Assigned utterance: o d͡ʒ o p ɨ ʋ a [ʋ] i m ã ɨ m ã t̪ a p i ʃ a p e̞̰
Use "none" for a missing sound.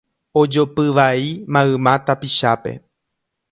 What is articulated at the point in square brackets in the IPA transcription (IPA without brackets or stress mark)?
none